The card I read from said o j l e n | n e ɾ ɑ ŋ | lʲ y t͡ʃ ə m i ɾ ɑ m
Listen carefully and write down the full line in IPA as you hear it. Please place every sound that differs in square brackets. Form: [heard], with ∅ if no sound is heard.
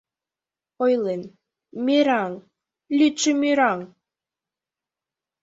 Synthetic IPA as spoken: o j l e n | [m] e ɾ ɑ ŋ | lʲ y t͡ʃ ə m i ɾ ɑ [ŋ]